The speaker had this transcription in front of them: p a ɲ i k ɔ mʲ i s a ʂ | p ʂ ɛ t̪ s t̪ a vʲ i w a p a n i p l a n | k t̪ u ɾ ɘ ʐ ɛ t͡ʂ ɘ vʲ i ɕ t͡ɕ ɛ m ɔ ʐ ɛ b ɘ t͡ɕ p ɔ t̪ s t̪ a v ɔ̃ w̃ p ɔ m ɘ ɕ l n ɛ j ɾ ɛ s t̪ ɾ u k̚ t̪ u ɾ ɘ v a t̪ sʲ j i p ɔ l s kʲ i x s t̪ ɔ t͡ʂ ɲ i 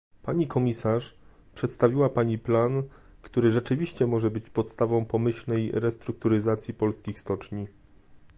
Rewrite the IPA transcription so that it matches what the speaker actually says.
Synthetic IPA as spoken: p a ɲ i k ɔ mʲ i s a ʂ | p ʂ ɛ t̪ s t̪ a vʲ i w a p a ɲ i p l a n | k t̪ u ɾ ɘ ʐ ɛ t͡ʂ ɘ vʲ i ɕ t͡ɕ ɛ m ɔ ʐ ɛ b ɘ t͡ɕ p ɔ t̪ s t̪ a v ɔ̃ w̃ p ɔ m ɘ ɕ l n ɛ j ɾ ɛ s t̪ ɾ u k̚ t̪ u ɾ ɘ z a t̪ sʲ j i p ɔ l s kʲ i x s t̪ ɔ t͡ʂ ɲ i

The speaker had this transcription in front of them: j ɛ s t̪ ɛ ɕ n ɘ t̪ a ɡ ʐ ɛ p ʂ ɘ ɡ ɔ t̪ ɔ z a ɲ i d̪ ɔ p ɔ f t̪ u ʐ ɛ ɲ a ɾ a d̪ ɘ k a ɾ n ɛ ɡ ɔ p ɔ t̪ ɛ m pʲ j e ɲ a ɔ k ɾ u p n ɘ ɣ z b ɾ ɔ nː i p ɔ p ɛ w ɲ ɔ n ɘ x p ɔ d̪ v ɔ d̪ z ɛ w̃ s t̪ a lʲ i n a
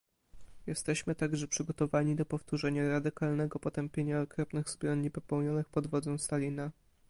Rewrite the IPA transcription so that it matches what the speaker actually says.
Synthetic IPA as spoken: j ɛ s t̪ ɛ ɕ m ɘ t̪ a ɡ ʐ ɛ p ʂ ɘ ɡ ɔ t̪ ɔ v a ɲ i d̪ ɔ p ɔ f t̪ u ʐ ɛ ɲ a ɾ a d̪ ɘ k a l n ɛ ɡ ɔ p ɔ t̪ ɛ m pʲ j e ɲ a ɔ k ɾ ɔ p n ɘ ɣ z b ɾ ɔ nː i p ɔ p ɛ w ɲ ɔ n ɘ x p ɔ d̪ v ɔ d̪ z ɛ w̃ s t̪ a lʲ i n a

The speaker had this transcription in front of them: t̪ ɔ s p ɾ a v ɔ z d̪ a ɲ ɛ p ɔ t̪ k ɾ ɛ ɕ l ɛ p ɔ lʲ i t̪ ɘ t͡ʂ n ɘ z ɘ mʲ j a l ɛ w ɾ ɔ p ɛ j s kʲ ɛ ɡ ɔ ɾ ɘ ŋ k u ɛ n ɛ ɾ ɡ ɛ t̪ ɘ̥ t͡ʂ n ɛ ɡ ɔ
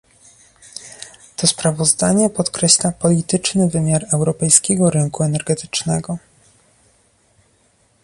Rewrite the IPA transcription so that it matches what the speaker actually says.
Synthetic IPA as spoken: t̪ ɔ s p ɾ a v ɔ z d̪ a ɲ ɛ p ɔ t̪ k ɾ ɛ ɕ l a p ɔ lʲ i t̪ ɘ t͡ʂ n ɘ v ɘ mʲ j a ɾ ɛ w ɾ ɔ p ɛ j s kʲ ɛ ɡ ɔ ɾ ɘ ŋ k u ɛ n ɛ ɾ ɡ ɛ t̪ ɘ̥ t͡ʂ n ɛ ɡ ɔ

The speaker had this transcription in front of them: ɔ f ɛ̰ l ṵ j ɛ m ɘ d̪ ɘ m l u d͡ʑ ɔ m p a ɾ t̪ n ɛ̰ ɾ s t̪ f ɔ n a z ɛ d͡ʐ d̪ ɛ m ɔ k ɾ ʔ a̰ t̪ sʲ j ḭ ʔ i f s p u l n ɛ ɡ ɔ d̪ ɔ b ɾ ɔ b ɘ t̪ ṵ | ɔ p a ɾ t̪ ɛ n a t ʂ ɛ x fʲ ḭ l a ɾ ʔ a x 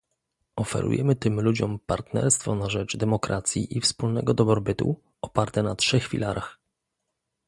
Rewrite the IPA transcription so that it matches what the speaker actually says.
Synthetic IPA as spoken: ɔ f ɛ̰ ɾ ṵ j ɛ m ɘ t̪ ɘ m l u d͡ʑ ɔ m p a ɾ t̪ n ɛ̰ ɾ s t̪ f ɔ n a ʐ ɛ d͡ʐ d̪ ɛ m ɔ k ɾ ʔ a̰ t̪ sʲ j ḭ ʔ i f s p u l n ɛ ɡ ɔ d̪ ɔ b ɾ ɔ b ɘ t̪ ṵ | ɔ p a ɾ t̪ ɛ n a t ʂ ɛ x fʲ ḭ l a ɾ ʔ a x

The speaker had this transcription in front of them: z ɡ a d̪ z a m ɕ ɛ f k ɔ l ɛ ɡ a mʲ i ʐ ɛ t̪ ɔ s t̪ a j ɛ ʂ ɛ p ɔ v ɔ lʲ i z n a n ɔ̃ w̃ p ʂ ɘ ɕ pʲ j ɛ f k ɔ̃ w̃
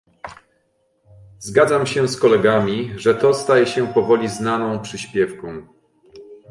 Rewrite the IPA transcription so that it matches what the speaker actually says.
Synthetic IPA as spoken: z ɡ a d̪ z a m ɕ ɛ s k ɔ l ɛ ɡ a mʲ i ʐ ɛ t̪ ɔ s t̪ a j ɛ ɕ ɛ p ɔ v ɔ lʲ i z n a n ɔ̃ w̃ p ʂ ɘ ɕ pʲ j ɛ f k ɔ̃ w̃

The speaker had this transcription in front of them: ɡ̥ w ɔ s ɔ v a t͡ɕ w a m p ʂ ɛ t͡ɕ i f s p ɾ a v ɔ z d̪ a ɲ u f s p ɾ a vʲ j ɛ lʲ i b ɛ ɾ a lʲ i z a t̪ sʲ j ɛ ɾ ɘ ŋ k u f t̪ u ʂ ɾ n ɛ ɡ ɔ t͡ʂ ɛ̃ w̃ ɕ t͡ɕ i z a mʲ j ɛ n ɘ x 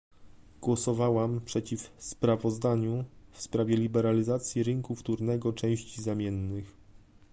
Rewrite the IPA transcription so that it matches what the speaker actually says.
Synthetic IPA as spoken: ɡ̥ w ɔ s ɔ v a w a m p ʂ ɛ t͡ɕ i f s p ɾ a v ɔ z d̪ a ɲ u f s p ɾ a vʲ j ɛ lʲ i b ɛ ɾ a lʲ i z a t̪ sʲ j i ɾ ɘ ŋ k u f t̪ u ɾ n ɛ ɡ ɔ t͡ʂ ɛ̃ w̃ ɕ t͡ɕ i z a mʲ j ɛ nː ɘ x

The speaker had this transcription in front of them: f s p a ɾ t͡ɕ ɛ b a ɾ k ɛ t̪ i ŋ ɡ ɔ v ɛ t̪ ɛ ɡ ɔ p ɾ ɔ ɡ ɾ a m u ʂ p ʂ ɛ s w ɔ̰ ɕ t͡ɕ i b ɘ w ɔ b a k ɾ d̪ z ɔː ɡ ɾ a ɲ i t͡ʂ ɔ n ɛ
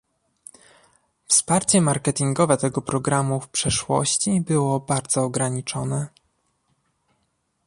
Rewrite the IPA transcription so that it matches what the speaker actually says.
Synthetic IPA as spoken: f s p a ɾ t͡ɕ ɛ m a ɾ k ɛ t̪ i ŋ ɡ ɔ v ɛ t̪ ɛ ɡ ɔ p ɾ ɔ ɡ ɾ a m u f p ʂ ɛ ʂ w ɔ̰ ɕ t͡ɕ i b ɘ w ɔ b a ɾ d̪ z ɔː ɡ ɾ a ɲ i t͡ʂ ɔ n ɛ

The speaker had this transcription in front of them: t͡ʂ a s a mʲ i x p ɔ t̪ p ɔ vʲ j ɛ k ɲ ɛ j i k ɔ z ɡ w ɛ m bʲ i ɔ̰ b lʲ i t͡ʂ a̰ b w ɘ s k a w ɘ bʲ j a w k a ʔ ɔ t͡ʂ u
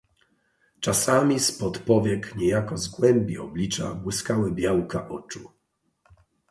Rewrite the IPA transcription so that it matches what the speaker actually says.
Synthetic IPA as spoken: t͡ʂ a s a mʲ i s p ɔ t̪ p ɔ vʲ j ɛ k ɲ ɛ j a k ɔ z ɡ w ɛ m bʲ i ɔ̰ b lʲ i t͡ʂ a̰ b w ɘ s k a w ɘ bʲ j a w k a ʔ ɔ t͡ʂ u

